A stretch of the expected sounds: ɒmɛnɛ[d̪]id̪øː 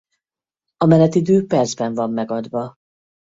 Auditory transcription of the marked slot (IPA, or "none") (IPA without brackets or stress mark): t̪